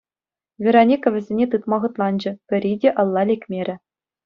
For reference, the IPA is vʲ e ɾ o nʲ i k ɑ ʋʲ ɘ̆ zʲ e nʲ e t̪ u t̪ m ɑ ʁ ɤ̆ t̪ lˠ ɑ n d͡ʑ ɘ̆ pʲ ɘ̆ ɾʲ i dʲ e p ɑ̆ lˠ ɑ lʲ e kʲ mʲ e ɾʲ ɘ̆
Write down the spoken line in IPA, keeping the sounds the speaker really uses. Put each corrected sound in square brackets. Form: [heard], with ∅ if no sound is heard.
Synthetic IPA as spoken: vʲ e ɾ o nʲ i k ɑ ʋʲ ɘ̆ zʲ e nʲ e t̪ [ɯ] t̪ m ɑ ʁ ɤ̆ t̪ lˠ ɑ n d͡ʑ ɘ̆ pʲ ɘ̆ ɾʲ i dʲ e [ʔ] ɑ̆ [lˠː] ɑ lʲ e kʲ mʲ e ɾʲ ɘ̆